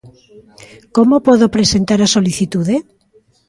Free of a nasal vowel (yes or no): yes